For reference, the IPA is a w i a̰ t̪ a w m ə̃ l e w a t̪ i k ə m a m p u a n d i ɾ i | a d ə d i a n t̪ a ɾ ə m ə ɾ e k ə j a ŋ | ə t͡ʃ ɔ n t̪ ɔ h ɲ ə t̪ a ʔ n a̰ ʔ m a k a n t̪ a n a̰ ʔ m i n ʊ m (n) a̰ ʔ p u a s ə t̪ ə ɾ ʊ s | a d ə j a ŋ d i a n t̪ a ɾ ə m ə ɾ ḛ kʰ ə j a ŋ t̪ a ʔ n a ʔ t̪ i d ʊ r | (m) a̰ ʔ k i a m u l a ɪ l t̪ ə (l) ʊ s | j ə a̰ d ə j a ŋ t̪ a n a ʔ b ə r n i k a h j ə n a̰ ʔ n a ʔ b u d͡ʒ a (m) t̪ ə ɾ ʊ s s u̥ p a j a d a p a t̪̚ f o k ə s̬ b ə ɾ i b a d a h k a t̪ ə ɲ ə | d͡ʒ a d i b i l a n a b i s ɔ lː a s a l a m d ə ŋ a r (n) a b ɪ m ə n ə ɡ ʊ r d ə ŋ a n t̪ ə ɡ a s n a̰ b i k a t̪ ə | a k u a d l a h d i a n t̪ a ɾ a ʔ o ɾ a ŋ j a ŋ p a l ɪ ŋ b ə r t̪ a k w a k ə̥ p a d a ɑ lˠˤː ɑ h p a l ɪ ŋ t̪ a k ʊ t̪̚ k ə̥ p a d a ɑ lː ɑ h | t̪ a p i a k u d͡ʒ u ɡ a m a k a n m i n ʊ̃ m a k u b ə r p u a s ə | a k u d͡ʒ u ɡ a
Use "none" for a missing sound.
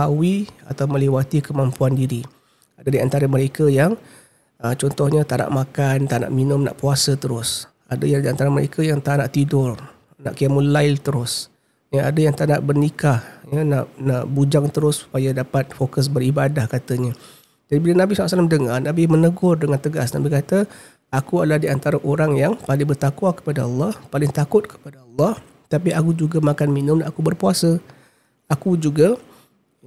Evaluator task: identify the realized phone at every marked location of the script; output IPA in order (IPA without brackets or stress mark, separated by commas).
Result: n, n, ɾ, ŋ, n